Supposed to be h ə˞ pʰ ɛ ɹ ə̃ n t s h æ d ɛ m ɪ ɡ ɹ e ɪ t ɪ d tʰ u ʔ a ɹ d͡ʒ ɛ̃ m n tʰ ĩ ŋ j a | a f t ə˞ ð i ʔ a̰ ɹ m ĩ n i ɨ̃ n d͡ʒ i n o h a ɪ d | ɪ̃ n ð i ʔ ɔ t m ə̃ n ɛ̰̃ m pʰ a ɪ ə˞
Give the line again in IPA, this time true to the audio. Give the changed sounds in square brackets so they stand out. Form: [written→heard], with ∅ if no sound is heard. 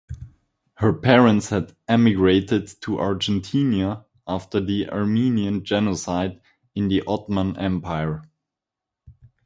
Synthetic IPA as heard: h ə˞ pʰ ɛ ɹ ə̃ n t s h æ d ɛ m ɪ ɡ ɹ e ɪ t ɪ d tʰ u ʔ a ɹ d͡ʒ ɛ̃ [m→∅] n tʰ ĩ [ŋ→n] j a | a f t ə˞ ð i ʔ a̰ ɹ m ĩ n i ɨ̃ n d͡ʒ [i→ɛ] n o [h→s] a ɪ d | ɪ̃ n ð i ʔ ɔ t m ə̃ n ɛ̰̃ m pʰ a ɪ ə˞